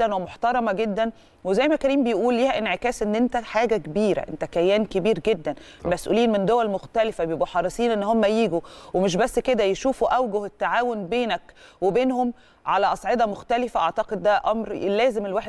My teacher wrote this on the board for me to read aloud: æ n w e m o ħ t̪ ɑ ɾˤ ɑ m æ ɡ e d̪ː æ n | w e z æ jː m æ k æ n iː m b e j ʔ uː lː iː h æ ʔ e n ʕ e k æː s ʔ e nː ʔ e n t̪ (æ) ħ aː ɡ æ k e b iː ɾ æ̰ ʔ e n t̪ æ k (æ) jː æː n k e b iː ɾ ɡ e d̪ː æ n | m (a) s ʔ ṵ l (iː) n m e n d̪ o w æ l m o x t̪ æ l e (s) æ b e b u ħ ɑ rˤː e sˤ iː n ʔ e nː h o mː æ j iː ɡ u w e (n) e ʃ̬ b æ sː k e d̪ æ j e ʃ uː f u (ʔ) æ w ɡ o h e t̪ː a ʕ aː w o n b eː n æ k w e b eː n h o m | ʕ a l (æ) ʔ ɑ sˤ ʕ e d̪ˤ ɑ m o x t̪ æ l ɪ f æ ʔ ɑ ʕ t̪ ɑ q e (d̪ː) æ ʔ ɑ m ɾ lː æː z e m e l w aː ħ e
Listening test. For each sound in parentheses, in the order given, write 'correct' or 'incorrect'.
correct, correct, incorrect: æ, correct, incorrect: f, incorrect: m, correct, correct, correct

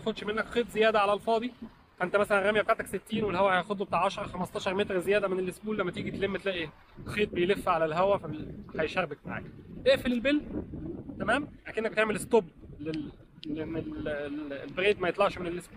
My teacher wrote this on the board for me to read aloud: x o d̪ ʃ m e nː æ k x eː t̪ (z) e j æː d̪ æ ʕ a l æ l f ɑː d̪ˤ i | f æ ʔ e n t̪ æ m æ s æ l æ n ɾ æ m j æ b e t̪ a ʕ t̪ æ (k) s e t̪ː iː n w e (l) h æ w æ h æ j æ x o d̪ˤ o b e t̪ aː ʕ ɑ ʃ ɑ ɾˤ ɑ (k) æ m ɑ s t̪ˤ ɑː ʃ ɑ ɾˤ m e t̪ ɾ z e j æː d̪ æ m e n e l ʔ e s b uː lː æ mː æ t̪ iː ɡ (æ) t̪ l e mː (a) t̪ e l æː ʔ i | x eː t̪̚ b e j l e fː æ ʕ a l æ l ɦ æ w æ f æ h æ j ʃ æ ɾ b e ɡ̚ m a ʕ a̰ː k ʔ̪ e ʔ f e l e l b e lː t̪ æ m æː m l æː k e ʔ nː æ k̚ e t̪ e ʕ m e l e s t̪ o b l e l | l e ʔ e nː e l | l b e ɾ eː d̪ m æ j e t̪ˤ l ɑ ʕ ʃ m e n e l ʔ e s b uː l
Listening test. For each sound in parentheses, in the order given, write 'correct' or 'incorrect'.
correct, correct, correct, incorrect: x, incorrect: i, incorrect: æ

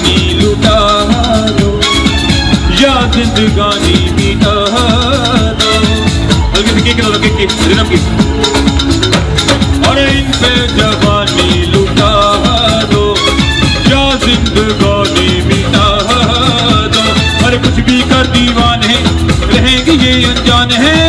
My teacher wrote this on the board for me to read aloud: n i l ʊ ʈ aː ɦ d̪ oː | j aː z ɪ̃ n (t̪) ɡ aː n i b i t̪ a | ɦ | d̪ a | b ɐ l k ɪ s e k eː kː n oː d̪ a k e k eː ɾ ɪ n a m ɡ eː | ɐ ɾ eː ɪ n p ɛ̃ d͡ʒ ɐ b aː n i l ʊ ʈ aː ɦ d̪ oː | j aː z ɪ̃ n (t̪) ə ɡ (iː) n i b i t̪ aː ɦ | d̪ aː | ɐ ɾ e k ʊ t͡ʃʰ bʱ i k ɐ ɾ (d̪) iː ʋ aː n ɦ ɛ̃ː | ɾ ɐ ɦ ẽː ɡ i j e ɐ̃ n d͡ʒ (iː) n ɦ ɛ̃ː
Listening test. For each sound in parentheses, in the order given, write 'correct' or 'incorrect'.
incorrect: d̪, incorrect: d̪, incorrect: aː, correct, incorrect: aː

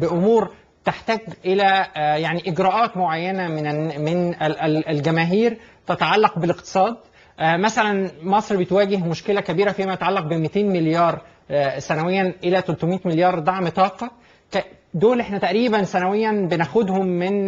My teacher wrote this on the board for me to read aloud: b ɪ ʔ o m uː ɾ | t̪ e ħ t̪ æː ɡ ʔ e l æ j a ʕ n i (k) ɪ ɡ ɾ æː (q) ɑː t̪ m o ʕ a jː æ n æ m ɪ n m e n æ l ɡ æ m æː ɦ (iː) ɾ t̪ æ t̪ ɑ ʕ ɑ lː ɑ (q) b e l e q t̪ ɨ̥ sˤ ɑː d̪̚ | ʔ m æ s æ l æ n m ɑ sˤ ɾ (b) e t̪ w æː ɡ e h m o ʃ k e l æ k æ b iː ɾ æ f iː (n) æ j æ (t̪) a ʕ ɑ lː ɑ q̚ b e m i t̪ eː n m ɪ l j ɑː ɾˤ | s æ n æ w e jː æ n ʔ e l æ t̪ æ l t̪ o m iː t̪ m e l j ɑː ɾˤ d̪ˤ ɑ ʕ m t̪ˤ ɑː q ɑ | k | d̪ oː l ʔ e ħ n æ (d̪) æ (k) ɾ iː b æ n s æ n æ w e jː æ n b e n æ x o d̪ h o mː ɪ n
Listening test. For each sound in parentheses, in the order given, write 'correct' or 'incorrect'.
incorrect: ʔ, incorrect: ʔ, correct, correct, correct, incorrect: m, correct, incorrect: t̪, incorrect: ʔ

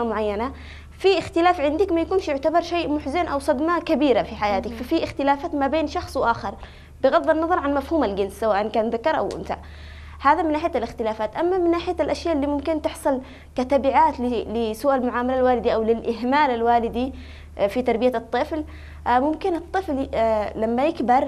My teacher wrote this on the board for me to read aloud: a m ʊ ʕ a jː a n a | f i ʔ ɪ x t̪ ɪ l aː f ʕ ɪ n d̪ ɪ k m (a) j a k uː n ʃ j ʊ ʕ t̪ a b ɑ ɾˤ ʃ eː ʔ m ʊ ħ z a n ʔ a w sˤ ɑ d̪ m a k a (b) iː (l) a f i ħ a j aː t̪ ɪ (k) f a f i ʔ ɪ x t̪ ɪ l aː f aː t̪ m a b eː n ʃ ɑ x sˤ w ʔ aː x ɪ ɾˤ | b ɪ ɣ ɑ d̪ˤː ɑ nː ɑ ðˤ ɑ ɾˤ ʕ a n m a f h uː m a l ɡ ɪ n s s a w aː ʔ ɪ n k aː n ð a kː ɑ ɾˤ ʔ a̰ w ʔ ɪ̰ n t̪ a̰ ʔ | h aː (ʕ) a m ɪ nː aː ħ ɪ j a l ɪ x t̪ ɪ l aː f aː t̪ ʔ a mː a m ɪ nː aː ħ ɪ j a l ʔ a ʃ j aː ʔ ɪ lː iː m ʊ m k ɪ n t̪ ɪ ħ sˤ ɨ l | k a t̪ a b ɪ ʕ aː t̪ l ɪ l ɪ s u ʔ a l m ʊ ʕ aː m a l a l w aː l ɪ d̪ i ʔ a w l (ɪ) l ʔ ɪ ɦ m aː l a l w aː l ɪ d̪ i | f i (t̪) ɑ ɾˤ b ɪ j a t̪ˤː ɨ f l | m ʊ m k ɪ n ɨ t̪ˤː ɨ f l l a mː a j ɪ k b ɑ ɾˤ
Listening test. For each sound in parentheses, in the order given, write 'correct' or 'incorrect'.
correct, correct, incorrect: ɾ, correct, incorrect: ð, correct, correct

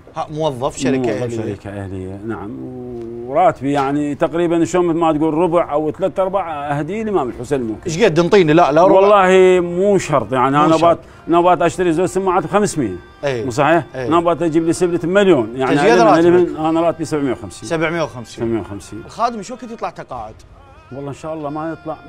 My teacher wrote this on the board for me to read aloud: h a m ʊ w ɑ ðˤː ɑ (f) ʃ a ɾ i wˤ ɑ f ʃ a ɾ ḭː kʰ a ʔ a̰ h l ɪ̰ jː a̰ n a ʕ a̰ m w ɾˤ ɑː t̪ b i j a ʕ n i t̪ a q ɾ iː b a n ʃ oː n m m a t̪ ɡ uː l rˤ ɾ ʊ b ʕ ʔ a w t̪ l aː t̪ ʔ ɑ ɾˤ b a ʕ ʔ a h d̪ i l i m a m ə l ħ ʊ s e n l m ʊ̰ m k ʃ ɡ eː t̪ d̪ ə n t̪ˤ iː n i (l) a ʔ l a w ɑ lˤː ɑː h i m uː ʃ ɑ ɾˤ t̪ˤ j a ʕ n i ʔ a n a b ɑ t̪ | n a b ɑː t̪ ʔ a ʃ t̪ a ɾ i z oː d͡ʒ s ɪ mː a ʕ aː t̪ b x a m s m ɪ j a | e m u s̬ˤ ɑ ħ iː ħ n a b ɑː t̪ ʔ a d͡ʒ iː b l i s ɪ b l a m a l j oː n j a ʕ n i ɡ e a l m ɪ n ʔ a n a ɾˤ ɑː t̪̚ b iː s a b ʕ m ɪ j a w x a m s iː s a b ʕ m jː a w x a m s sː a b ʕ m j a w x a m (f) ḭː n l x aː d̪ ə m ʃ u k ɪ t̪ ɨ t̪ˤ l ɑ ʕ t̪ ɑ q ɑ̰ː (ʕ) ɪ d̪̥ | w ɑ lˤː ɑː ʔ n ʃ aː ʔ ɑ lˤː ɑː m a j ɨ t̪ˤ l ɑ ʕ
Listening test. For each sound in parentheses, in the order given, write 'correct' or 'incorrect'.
correct, correct, incorrect: s, correct

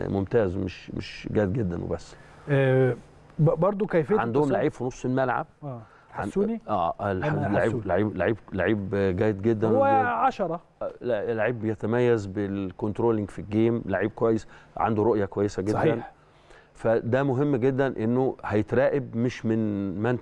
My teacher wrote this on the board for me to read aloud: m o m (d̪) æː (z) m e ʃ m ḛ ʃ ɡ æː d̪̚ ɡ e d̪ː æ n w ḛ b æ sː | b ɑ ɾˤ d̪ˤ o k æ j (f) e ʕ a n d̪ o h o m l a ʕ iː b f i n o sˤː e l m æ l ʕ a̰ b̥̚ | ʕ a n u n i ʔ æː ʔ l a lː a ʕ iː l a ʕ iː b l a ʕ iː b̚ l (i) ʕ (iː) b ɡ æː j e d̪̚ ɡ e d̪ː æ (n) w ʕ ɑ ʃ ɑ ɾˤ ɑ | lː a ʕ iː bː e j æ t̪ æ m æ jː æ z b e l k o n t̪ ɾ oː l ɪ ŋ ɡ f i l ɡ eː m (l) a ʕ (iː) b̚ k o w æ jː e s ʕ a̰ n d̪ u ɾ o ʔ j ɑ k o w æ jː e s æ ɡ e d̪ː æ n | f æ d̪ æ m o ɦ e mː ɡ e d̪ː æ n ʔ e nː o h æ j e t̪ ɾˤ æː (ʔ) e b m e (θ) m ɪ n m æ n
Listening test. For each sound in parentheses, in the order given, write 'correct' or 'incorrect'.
incorrect: t̪, correct, correct, incorrect: a, correct, correct, correct, correct, correct, incorrect: ʃ

